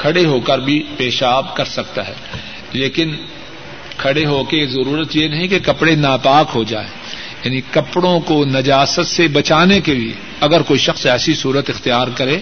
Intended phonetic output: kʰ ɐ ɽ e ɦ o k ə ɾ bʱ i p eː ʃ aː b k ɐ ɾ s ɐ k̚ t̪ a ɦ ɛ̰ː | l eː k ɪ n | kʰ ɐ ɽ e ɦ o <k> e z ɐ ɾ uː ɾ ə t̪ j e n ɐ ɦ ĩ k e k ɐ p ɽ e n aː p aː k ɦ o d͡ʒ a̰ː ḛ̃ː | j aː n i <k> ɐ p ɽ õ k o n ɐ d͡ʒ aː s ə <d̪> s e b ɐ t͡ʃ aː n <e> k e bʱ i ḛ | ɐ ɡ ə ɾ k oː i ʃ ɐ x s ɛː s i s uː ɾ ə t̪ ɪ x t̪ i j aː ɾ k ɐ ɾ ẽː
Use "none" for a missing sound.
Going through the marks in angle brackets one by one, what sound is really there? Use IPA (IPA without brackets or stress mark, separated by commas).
k, k, t̪, e